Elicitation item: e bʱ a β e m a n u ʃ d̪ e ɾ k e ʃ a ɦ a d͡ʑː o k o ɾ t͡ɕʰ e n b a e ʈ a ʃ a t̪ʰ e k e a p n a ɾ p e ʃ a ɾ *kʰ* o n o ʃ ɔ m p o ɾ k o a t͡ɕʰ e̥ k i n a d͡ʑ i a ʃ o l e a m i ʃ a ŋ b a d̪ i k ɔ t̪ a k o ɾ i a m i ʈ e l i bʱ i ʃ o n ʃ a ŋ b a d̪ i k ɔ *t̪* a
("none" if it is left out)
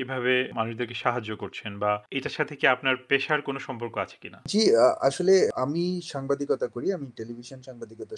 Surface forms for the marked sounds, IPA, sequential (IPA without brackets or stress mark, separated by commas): k, t̪